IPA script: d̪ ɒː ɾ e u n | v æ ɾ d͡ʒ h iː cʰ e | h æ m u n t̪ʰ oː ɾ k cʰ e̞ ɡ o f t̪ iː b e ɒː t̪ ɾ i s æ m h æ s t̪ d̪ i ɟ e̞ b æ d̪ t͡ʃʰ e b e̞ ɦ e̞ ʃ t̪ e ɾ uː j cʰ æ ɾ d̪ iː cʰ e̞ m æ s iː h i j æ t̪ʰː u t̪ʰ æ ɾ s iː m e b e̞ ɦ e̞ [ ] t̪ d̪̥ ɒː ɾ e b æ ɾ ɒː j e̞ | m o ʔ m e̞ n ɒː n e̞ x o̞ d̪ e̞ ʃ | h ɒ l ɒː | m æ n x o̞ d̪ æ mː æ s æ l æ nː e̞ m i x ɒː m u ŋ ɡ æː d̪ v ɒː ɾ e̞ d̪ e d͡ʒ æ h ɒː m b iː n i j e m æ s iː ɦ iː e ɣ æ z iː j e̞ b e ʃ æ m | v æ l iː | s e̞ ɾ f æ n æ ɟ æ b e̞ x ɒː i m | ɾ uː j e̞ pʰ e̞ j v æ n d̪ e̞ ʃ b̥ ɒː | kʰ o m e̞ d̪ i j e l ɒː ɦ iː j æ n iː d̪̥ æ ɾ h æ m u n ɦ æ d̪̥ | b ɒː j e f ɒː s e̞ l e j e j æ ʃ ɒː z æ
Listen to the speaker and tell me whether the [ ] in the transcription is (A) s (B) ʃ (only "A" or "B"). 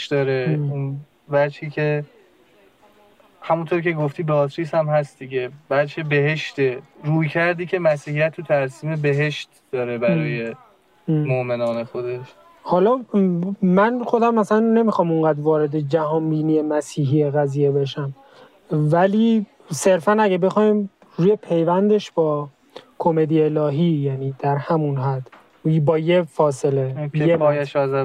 B